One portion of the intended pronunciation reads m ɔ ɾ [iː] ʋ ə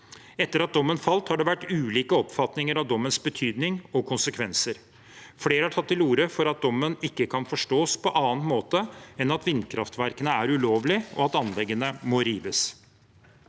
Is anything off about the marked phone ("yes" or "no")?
no